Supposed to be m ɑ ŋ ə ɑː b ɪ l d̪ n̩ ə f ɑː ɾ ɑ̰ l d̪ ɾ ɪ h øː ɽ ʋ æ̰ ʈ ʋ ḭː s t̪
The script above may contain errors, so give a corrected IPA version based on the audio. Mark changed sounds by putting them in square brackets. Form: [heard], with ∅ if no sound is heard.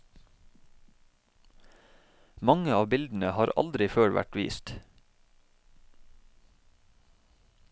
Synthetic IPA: m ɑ ŋ ə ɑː b ɪ l d̪ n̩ ə [h] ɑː ɾ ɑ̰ l d̪ ɾ ɪ [f] øː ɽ ʋ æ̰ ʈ ʋ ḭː s t̪